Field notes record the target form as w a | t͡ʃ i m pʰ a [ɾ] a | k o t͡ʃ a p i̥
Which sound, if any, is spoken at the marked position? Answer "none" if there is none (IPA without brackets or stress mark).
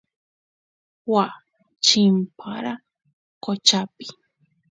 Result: ɾ